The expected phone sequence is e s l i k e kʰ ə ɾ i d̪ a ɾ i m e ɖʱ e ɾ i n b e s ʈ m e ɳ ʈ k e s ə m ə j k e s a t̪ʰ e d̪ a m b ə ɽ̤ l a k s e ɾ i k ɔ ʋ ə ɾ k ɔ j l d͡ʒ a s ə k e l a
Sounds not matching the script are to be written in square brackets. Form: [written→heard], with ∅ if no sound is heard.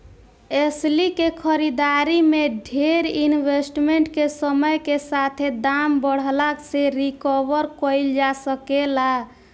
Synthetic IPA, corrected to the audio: e s l i k e kʰ ə ɾ i d̪ a ɾ i m e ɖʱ e ɾ i n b e s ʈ m e ɳ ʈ k e s ə m ə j k e s a t̪ʰ e d̪ a m b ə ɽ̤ l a k s e ɾ i k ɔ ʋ ə ɾ k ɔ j l d͡ʒ a s ə k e l a